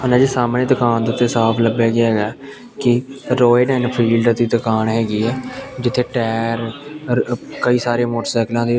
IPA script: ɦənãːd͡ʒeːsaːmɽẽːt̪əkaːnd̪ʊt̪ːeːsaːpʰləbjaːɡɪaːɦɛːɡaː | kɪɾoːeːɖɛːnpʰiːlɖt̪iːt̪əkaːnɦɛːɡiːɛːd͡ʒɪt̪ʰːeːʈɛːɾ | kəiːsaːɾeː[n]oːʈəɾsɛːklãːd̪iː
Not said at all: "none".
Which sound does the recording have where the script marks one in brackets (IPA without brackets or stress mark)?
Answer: m